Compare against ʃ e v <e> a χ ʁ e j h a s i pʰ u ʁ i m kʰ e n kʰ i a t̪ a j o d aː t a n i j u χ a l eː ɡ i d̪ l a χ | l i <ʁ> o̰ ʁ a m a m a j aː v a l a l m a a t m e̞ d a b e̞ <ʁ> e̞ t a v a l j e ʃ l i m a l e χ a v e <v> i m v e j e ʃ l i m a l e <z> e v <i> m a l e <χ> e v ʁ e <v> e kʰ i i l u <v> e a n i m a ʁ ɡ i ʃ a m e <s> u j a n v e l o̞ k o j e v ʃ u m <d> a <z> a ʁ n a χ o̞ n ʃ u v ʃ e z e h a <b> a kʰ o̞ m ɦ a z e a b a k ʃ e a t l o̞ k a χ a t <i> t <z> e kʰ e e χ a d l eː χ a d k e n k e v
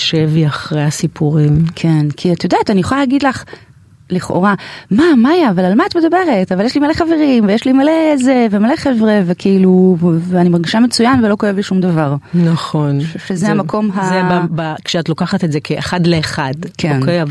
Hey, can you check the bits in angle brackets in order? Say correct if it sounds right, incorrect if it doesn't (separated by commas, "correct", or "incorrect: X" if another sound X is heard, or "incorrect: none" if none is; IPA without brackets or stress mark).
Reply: incorrect: i, incorrect: χ, correct, incorrect: ʁ, correct, incorrect: e, correct, correct, correct, incorrect: t͡s, correct, incorrect: v, incorrect: m, incorrect: e, correct